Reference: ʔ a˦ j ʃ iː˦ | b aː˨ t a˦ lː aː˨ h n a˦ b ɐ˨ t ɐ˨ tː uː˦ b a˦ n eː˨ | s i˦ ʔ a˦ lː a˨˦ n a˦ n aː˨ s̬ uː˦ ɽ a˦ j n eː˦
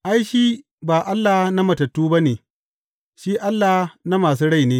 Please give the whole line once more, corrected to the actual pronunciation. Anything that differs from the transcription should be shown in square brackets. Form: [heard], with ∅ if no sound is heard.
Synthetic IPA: ʔ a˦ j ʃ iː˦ | b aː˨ [ʔ] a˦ lː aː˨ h n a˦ [m] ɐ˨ t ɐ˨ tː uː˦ b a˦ n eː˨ | [ʃ] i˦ ʔ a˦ lː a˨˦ n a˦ [m] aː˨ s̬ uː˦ ɽ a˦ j n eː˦